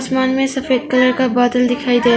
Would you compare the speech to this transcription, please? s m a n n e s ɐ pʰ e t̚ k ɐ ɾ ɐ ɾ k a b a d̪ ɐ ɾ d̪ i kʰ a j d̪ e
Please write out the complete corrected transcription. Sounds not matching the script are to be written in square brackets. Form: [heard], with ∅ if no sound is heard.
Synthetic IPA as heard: s m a n [m] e s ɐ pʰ e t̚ k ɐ [l] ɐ ɾ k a b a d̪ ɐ [l] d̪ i kʰ a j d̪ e